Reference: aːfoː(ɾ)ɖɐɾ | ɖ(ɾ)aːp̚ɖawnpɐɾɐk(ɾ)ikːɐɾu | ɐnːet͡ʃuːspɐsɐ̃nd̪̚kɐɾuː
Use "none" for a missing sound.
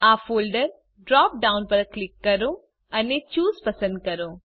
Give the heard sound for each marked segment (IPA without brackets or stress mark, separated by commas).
l, ɾ, l